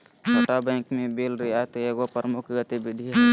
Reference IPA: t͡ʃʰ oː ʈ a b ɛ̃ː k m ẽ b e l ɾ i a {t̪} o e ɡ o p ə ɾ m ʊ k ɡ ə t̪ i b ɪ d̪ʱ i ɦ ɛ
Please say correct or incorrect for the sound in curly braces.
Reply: correct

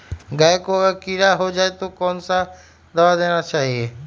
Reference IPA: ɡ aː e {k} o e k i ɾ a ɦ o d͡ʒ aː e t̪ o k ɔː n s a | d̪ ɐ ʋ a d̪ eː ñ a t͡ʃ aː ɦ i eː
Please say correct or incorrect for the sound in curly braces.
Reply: correct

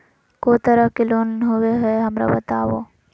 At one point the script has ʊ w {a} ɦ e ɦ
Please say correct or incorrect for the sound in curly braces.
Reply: incorrect: e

